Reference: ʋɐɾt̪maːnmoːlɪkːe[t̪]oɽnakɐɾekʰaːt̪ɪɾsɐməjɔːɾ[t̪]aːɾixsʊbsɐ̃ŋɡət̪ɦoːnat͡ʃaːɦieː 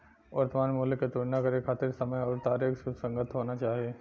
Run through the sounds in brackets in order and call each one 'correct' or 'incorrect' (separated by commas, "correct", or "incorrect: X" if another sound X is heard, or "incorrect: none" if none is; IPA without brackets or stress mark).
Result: correct, correct